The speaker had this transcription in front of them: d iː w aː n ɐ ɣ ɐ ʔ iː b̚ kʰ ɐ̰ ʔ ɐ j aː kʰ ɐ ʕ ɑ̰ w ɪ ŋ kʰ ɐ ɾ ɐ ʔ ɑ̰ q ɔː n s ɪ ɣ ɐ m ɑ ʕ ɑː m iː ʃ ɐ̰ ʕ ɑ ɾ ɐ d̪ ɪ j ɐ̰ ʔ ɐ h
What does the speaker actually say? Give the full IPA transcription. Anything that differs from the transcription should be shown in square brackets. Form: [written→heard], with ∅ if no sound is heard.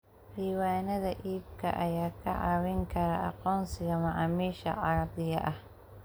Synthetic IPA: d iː w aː n ɐ [ɣ→ð] ɐ ʔ iː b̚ kʰ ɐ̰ ʔ ɐ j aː kʰ ɐ ʕ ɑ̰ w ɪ ŋ kʰ ɐ ɾ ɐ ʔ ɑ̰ q ɔː n s ɪ ɣ ɐ m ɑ ʕ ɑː m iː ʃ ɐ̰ ʕ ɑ ɾ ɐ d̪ ɪ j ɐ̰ ʔ ɐ h

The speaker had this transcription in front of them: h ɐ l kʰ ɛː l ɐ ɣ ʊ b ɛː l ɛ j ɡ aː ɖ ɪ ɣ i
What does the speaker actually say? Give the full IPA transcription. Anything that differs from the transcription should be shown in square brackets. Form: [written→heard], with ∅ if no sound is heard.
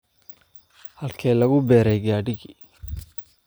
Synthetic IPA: h ɐ l kʰ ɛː l ɐ ɣ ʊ b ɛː [l→ɾ] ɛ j ɡ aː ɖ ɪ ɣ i

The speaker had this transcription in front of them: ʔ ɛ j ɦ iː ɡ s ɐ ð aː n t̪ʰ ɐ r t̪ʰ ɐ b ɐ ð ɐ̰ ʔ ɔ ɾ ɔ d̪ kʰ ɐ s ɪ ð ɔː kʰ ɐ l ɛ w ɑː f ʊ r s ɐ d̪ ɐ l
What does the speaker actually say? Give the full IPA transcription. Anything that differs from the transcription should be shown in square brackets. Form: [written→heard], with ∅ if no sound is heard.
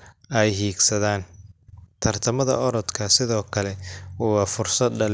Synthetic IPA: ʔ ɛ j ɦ iː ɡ s ɐ ð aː n t̪ʰ ɐ r t̪ʰ ɐ [b→m] ɐ ð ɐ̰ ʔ ɔ ɾ ɔ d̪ kʰ ɐ s ɪ ð ɔː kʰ ɐ l ɛ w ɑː f ʊ r s ɐ d̪ ɐ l

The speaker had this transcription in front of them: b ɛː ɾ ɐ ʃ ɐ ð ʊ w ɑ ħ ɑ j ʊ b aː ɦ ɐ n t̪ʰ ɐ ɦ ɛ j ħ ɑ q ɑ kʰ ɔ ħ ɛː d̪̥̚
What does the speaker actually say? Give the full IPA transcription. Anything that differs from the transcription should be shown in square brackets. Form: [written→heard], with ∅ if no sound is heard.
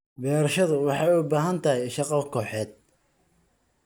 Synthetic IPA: b ɛː ɾ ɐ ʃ ɐ ð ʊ w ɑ ħ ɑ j ʊ b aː ɦ ɐ n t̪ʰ ɐ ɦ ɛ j [ħ→ʃ] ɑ q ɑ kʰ [ɔ→ɔː] ħ ɛː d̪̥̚

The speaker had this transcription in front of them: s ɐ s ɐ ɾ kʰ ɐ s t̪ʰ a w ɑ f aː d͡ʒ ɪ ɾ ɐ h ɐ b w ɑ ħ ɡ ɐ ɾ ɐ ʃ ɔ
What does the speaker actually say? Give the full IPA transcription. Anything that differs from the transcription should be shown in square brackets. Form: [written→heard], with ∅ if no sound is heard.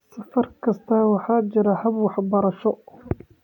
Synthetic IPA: s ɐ [s→f] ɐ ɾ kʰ ɐ s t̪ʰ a w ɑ [f→ħ] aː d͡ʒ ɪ ɾ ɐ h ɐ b w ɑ ħ [ɡ→b] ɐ ɾ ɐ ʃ ɔ

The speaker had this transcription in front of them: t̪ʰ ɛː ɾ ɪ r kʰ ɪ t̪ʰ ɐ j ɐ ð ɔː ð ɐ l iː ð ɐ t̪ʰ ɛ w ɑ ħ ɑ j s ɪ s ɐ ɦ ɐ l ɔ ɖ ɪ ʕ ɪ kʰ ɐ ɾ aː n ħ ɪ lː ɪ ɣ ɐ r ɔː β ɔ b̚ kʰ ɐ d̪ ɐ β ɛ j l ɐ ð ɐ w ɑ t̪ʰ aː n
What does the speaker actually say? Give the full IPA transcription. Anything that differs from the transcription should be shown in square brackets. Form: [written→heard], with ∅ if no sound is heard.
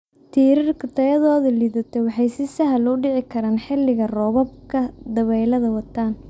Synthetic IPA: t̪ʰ [ɛː→iː] ɾ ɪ r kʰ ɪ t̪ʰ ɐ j ɐ ð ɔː ð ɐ l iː ð ɐ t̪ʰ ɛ w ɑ ħ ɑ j s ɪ s ɐ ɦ ɐ l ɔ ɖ ɪ ʕ ɪ kʰ ɐ ɾ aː n ħ ɪ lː ɪ ɣ ɐ r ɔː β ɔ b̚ kʰ ɐ d̪ ɐ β ɛ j l ɐ ð ɐ w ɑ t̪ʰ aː n

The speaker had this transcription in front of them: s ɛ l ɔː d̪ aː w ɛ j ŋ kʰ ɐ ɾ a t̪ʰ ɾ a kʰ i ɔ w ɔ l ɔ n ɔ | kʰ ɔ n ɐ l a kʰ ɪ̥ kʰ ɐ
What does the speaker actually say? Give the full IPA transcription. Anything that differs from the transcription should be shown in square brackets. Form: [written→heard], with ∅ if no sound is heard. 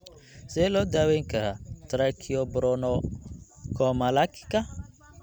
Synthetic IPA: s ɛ l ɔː d̪ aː w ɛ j ŋ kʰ ɐ ɾ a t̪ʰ ɾ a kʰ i ɔ [w→b] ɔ [l→ɾ] ɔ n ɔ | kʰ ɔ [n→m] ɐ l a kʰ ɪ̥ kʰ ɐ

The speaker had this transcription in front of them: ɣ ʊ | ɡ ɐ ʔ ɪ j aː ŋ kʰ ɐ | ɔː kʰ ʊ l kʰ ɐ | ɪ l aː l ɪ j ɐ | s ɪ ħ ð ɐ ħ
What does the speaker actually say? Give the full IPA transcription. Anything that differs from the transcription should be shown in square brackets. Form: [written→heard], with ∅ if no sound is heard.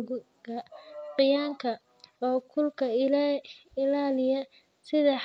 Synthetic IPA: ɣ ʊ | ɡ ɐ [ʔ→q] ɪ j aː ŋ kʰ ɐ | ɔː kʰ ʊ l kʰ ɐ | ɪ l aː l ɪ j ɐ | s ɪ [ħ→∅] ð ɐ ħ

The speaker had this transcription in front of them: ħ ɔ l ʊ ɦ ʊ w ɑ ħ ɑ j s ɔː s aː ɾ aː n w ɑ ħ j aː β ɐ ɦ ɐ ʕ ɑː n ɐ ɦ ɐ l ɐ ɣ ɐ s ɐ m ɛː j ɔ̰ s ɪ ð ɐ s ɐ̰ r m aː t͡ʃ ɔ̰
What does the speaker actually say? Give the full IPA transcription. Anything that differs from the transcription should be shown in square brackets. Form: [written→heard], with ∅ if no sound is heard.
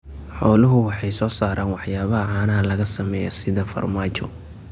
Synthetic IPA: ħ ɔ l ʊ ɦ ʊ w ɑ ħ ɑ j s ɔː s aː ɾ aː n w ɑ ħ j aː β ɐ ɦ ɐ ʕ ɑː n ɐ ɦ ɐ l ɐ ɣ ɐ s ɐ m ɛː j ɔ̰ s ɪ ð ɐ [s→f] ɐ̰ r m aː t͡ʃ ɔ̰

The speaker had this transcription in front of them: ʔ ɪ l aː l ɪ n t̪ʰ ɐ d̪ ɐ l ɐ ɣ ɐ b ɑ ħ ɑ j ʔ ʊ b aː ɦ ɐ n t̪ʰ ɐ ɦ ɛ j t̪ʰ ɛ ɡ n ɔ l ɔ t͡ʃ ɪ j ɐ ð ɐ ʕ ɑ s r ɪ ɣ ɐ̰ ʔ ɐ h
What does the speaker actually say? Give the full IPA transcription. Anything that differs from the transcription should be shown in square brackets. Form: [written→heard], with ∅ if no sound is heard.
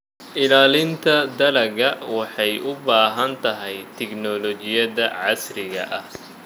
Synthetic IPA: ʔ ɪ l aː l ɪ n t̪ʰ ɐ d̪ ɐ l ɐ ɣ ɐ [b→w] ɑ ħ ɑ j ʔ ʊ b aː ɦ ɐ n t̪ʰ ɐ ɦ ɛ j t̪ʰ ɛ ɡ n ɔ l ɔ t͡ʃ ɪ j ɐ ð ɐ ʕ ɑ s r ɪ ɣ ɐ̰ ʔ ɐ h

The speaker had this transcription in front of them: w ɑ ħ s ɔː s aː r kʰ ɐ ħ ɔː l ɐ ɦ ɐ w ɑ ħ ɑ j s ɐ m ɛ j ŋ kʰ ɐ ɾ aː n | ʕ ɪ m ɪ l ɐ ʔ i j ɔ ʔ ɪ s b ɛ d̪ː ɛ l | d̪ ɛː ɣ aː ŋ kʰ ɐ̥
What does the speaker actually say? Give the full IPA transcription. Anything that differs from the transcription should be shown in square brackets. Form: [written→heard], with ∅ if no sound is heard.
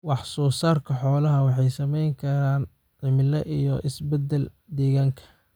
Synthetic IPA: w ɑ ħ s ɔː s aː r kʰ ɐ ħ ɔː l ɐ ɦ ɐ w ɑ ħ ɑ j s ɐ m ɛ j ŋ kʰ ɐ ɾ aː n | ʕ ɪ m ɪ l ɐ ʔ i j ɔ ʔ ɪ s b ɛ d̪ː ɛ l | d̪ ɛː ɣ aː ŋ kʰ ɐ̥

